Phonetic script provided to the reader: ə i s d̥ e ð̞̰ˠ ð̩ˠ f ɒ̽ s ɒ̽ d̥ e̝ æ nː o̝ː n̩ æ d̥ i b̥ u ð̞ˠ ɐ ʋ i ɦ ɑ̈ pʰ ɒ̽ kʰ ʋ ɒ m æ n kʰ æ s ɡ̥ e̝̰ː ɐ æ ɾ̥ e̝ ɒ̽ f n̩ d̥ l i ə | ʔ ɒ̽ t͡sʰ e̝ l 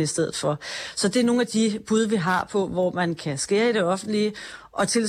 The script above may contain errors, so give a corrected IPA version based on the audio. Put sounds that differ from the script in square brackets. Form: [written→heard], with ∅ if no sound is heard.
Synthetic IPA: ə i s d̥ e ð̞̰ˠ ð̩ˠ f ɒ̽ s ɒ̽ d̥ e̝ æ [nː→n] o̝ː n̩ æ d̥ i b̥ u ð̞ˠ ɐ ʋ i ɦ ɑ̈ pʰ ɒ̽ [kʰ→∅] ʋ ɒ m æ n kʰ æ s ɡ̥ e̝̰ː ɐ [æ→i] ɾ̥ e̝ ɒ̽ f n̩ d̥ l i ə | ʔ ɒ̽ t͡sʰ e̝ l